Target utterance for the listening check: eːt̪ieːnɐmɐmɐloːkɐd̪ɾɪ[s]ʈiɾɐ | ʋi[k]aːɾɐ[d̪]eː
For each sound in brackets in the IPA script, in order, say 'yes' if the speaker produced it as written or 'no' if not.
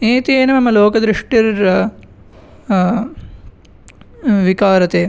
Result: no, yes, no

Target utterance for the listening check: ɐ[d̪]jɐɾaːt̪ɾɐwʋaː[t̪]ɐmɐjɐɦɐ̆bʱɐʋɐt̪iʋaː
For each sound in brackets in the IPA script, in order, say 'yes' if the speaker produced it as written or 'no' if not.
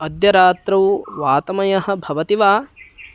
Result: yes, yes

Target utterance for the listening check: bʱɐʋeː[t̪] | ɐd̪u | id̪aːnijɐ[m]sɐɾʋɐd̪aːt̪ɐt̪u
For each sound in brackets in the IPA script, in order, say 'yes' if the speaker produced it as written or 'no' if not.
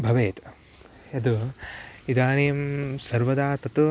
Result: yes, yes

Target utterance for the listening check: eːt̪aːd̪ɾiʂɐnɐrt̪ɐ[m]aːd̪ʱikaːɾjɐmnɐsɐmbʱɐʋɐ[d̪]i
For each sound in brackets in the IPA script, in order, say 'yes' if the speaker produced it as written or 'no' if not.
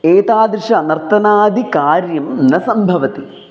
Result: no, no

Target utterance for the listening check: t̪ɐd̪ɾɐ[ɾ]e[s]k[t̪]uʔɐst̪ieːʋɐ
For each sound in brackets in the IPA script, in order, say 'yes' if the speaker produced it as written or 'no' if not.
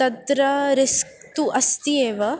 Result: yes, yes, yes

